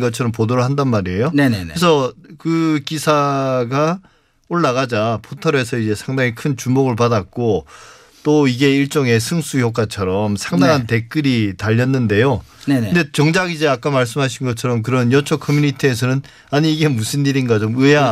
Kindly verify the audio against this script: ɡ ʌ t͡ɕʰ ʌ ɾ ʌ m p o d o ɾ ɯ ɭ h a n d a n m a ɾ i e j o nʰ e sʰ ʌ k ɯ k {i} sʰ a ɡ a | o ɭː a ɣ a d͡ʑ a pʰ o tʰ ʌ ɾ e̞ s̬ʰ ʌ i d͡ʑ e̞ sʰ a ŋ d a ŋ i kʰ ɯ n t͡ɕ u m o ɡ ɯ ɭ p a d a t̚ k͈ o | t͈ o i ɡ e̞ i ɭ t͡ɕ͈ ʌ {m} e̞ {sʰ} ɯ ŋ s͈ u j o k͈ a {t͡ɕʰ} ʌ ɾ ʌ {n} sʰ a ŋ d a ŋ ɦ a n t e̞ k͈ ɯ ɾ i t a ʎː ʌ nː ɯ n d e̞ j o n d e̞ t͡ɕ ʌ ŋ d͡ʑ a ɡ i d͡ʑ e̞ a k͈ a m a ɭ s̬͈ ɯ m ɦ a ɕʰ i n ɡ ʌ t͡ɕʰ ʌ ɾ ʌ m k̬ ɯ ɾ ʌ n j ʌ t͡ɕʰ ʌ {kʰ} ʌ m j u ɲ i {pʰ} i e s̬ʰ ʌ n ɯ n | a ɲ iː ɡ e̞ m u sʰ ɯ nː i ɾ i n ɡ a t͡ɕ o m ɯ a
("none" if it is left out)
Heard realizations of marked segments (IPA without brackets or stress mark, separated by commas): i, ŋ, sʰ, t͡ɕʰ, m, kʰ, tʰ